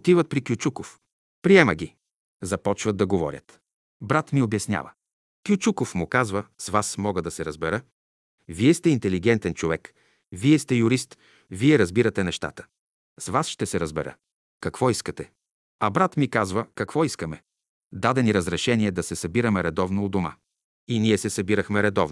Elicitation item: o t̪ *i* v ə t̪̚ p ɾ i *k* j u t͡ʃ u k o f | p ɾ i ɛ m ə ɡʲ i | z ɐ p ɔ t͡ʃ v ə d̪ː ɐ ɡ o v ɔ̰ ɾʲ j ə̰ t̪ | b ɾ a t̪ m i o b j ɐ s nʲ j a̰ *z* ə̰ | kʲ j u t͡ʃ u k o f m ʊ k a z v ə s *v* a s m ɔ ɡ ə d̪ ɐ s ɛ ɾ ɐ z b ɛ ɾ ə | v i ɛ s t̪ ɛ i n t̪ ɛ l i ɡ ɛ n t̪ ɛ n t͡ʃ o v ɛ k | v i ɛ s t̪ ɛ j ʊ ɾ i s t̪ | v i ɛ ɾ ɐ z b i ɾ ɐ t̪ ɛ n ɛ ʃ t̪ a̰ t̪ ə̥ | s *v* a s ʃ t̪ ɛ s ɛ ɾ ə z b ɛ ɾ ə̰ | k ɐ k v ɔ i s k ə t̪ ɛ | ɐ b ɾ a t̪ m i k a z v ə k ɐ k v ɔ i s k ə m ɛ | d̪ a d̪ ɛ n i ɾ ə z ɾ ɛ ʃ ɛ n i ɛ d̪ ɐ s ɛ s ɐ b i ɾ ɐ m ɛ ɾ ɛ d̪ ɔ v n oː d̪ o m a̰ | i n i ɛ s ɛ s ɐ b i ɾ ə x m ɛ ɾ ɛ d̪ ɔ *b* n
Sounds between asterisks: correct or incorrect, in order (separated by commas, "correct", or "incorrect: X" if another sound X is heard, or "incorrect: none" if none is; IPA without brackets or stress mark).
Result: correct, correct, incorrect: v, correct, correct, incorrect: v